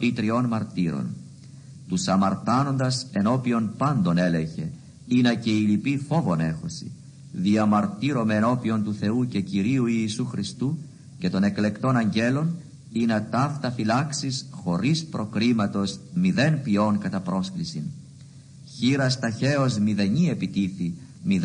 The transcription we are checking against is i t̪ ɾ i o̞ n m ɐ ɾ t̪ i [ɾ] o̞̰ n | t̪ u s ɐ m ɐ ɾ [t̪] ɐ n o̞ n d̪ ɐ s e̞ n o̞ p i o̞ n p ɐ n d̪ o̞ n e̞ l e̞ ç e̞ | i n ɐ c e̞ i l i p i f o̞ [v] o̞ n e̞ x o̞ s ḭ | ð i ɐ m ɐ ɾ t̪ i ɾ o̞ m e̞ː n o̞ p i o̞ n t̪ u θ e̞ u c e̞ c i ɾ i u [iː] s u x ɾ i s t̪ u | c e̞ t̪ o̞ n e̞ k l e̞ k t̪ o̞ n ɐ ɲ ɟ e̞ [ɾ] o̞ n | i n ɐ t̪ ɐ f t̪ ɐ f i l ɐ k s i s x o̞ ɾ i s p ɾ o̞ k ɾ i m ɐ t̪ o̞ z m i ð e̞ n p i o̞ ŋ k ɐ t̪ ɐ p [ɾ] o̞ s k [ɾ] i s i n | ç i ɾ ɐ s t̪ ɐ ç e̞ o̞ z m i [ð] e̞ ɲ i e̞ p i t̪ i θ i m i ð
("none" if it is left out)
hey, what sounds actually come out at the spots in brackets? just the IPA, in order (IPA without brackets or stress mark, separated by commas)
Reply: ɾ, t̪, v, iː, l, ɾ, l, ð